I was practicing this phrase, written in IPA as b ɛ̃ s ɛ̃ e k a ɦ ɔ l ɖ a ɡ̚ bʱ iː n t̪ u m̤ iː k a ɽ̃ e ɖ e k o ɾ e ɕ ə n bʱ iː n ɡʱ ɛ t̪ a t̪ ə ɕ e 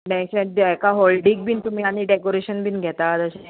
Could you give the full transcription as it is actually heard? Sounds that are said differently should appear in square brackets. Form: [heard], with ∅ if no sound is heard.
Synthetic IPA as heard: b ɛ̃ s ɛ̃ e k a ɦ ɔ l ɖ [i] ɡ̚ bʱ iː n t̪ u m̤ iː [∅] a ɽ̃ [i] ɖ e k o ɾ e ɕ ə n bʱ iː n ɡʱ ɛ t̪ a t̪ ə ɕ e